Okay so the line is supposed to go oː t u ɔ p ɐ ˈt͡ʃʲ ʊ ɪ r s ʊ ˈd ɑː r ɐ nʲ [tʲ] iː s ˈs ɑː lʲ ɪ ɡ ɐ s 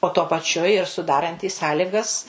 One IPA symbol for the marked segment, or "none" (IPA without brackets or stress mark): tʲ